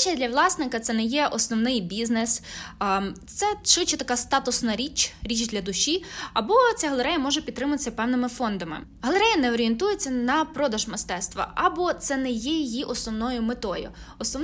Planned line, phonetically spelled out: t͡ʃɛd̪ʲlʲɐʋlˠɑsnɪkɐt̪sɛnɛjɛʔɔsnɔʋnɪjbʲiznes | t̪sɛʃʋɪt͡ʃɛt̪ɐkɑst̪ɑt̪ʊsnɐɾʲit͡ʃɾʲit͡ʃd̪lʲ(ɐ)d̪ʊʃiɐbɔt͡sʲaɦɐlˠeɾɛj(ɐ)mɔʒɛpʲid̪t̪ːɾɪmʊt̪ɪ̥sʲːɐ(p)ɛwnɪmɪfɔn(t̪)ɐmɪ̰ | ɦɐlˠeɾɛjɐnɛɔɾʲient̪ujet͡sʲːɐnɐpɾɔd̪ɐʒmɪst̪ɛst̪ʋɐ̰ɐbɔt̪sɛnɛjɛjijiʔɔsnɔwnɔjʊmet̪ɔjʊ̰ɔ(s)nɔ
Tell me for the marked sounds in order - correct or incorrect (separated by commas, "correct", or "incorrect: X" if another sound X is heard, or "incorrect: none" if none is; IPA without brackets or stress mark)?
correct, correct, correct, incorrect: d̪, correct